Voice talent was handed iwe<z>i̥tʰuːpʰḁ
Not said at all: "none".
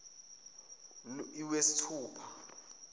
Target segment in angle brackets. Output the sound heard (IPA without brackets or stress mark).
s